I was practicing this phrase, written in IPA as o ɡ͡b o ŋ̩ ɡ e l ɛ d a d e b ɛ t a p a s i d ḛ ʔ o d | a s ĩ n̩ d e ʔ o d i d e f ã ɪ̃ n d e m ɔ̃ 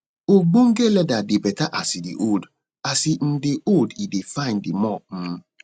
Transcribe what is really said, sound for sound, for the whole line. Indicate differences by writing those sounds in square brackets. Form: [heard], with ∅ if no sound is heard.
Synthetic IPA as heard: o ɡ͡b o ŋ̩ ɡ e l ɛ d a d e b ɛ t a [ʔ] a s i d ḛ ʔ o d | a s [i] n̩ d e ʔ o d i d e f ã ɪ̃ n d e m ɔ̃